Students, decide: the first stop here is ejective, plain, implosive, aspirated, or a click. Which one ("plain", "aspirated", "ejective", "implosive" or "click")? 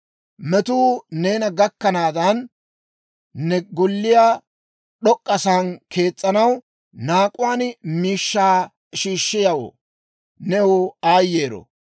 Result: plain